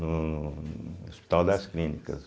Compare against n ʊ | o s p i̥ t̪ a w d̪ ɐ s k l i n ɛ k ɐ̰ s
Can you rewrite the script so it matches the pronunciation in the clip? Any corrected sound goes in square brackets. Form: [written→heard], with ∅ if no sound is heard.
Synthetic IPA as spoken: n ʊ | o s p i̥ t̪ a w d̪ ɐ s k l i n [ɛ→i] k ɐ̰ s